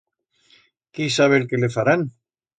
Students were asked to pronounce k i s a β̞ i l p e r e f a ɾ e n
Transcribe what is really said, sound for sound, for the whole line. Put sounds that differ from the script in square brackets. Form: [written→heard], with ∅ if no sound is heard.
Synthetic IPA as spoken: k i s a β̞ [i→e] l [p→k] e [r→l] e f a ɾ [e→a] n